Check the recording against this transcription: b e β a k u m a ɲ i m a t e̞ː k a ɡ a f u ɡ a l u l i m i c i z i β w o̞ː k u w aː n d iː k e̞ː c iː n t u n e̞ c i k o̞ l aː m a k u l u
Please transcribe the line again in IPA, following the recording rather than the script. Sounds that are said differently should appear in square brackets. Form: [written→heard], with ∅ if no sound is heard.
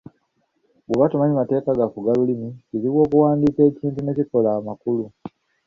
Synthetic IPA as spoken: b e β a [k→t] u m a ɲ i m a t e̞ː k a ɡ a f u ɡ a l u l i m i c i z i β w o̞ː k u w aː n d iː k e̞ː c iː n t u n e̞ c i k o̞ l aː m a k u l u